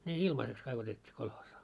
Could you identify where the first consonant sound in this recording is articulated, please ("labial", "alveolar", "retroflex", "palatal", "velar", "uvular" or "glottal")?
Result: alveolar